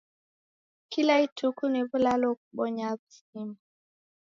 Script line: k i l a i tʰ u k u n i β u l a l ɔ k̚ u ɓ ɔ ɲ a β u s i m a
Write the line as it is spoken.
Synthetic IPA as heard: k i l a i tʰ u k u n i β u l a l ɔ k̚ u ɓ ɔ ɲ a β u s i m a

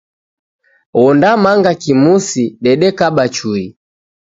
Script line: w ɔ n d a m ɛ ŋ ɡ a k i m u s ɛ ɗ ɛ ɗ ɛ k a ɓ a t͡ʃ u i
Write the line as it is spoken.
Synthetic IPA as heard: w ɔ n d a m a ŋ ɡ a k i m u s i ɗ ɛ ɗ ɛ k a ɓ a t͡ʃ u i

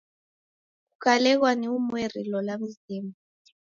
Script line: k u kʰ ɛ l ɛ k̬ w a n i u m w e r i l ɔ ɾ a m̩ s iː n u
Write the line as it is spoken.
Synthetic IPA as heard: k u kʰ a l ɛ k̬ w a n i u m w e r i l ɔ l a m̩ z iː m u

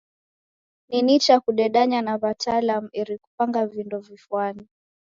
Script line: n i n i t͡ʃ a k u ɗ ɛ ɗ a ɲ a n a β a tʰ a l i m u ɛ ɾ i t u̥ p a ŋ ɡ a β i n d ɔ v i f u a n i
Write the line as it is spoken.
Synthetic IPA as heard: n i n i t͡ʃ a k u ɗ ɛ ɗ a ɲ a n a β a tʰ a l a m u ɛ ɾ i k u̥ p a ŋ ɡ a v i n d ɔ v i f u a n i

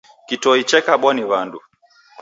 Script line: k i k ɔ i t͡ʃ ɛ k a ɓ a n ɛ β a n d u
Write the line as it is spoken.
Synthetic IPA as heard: k i t ɔ i t͡ʃ ɛ k a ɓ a n i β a n d u

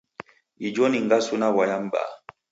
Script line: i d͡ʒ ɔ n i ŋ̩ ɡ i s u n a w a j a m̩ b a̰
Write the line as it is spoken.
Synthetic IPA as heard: i d͡ʒ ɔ n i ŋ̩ ɡ a s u n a w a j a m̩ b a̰

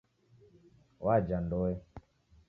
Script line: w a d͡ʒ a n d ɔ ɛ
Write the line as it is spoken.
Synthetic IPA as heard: w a d͡ʒ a n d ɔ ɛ

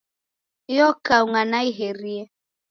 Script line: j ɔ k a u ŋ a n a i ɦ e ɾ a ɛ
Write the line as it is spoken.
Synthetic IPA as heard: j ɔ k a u ŋ a n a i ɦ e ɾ i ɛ

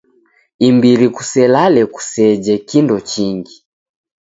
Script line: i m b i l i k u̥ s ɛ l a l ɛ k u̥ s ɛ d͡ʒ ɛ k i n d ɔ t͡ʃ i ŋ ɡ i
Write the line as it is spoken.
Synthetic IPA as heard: i m b i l i k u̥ s ɛ l a l ɛ k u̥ s ɛ d͡ʒ ɛ k i n d ɔ t͡ʃ i ŋ ɡ i

